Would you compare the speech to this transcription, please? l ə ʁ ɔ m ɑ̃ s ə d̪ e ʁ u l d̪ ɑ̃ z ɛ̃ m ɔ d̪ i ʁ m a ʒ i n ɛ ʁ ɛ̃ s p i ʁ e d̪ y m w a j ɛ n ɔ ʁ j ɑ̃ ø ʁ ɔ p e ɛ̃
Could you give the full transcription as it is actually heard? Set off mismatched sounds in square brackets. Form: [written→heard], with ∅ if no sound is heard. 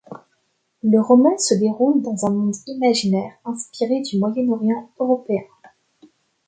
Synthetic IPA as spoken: l ə ʁ ɔ m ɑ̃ s ə d̪ e ʁ u l d̪ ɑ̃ z ɛ̃ m [ɔ→ɔ̃] d̪ i [ʁ→∅] m a ʒ i n ɛ ʁ ɛ̃ s p i ʁ e d̪ y m w a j ɛ n ɔ ʁ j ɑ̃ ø ʁ ɔ p e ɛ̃